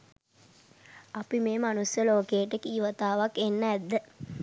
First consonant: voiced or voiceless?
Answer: voiceless